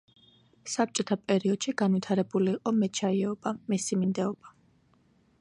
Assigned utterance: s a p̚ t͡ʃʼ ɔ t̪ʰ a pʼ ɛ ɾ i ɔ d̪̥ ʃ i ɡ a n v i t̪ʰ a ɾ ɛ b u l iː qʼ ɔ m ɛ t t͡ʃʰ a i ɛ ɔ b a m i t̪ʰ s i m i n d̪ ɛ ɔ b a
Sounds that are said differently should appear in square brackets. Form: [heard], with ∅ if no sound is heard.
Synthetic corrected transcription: s a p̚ t͡ʃʼ ɔ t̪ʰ a pʼ ɛ ɾ i ɔ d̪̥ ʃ i ɡ a n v i t̪ʰ a ɾ ɛ b u l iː qʼ ɔ m ɛ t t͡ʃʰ a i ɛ ɔ b a m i [∅] s i m i n d̪ ɛ ɔ b a